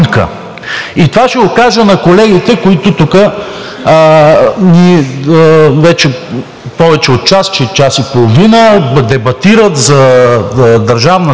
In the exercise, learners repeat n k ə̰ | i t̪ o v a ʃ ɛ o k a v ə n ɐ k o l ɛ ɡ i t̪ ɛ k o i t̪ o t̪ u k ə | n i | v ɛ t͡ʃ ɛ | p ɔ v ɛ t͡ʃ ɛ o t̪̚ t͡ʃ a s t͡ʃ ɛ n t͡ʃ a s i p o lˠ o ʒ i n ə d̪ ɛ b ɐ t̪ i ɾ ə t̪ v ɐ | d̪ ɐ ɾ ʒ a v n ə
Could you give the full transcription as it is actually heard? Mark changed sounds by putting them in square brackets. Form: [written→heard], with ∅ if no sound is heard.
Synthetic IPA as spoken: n k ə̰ | i t̪ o v a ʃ ɛ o k a [v→ʒ] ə n ɐ k o l ɛ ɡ i t̪ ɛ k o i t̪ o t̪ u k ə | n i | v ɛ t͡ʃ ɛ | p ɔ v ɛ t͡ʃ ɛ o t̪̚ t͡ʃ a s t͡ʃ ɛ [n→∅] t͡ʃ a s i p o lˠ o [ʒ→v] i n ə d̪ ɛ b ɐ t̪ i ɾ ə t̪ [v→z] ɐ | d̪ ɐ ɾ ʒ a v n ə

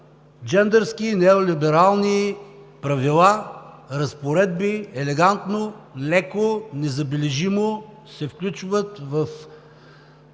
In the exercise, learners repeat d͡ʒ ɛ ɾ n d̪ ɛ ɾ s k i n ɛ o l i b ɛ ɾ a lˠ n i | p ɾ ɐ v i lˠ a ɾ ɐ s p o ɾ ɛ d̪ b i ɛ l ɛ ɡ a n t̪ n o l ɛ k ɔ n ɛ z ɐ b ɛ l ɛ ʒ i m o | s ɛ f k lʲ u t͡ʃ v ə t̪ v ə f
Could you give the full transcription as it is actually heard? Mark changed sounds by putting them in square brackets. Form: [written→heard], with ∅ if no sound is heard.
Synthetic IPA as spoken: d͡ʒ ɛ [ɾ→∅] n d̪ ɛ ɾ s k i n ɛ o l i b ɛ ɾ a lˠ n i | p ɾ ɐ v i lˠ a ɾ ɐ s p o ɾ ɛ d̪ b i ɛ l ɛ ɡ a n t̪ n o l ɛ k [ɔ→o] n ɛ z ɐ b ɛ l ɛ ʒ i m o | s ɛ f k lʲ u t͡ʃ v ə t̪ v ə f

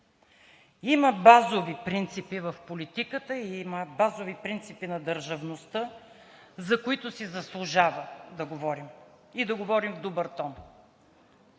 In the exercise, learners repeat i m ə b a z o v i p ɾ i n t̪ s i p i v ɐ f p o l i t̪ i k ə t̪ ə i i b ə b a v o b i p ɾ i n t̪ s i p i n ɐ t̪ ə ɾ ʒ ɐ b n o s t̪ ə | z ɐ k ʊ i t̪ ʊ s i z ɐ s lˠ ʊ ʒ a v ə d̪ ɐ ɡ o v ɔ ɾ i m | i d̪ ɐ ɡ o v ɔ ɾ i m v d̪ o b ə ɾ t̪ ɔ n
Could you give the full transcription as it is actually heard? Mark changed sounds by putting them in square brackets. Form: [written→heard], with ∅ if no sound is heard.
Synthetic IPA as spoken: i m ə b a z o v i p ɾ i n t̪ s i p i v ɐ f p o l i t̪ i k ə t̪ ə i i [b→m] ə b a [v→z] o [b→v] i p ɾ i n t̪ s i p i n ɐ [t̪→d̪] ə ɾ ʒ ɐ [b→v] n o s t̪ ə | z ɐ k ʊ i t̪ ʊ s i z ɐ s lˠ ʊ ʒ a v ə d̪ ɐ ɡ o v ɔ ɾ i m | i d̪ ɐ ɡ o v ɔ ɾ i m v d̪ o b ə ɾ t̪ ɔ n

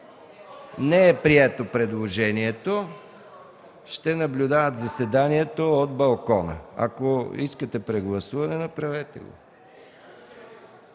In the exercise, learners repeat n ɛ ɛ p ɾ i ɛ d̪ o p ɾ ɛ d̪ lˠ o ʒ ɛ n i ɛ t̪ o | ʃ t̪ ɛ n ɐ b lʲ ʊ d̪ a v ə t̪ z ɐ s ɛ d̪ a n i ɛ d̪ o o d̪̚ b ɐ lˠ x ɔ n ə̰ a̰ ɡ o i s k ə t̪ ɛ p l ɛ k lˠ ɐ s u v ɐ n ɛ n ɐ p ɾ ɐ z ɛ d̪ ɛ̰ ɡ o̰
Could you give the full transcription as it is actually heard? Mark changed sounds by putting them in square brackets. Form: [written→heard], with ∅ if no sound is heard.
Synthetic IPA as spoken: n ɛ ɛ p ɾ i ɛ [d̪→t̪] o p ɾ ɛ d̪ lˠ o ʒ ɛ n i ɛ t̪ o | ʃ t̪ ɛ n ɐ b lʲ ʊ d̪ a v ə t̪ z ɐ s ɛ d̪ a n i ɛ [d̪→t̪] o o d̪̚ b ɐ lˠ [x→k] ɔ n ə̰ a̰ [ɡ→k] o i s k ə t̪ ɛ p [l→ɾ] ɛ [k→ɡ] lˠ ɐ s u v ɐ n ɛ n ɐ p ɾ ɐ [z→v] ɛ [d̪→t̪] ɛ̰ ɡ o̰

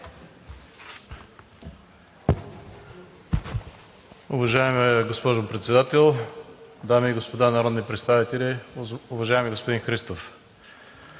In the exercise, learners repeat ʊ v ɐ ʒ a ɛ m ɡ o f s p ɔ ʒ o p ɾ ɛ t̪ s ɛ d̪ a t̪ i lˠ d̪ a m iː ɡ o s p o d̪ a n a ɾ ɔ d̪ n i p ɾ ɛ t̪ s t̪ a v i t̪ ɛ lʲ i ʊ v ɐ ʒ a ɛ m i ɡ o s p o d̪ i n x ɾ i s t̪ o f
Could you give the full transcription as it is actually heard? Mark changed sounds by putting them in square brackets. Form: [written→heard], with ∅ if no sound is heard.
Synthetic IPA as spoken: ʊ v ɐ ʒ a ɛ m ɡ o [f→∅] s p ɔ ʒ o p ɾ ɛ t̪ s ɛ d̪ a t̪ [i→ɛ] lˠ d̪ a m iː ɡ o s p o d̪ a n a ɾ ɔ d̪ n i p ɾ ɛ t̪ s t̪ a v i t̪ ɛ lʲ i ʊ v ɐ ʒ a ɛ m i ɡ o s p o d̪ i n x ɾ i s t̪ o f

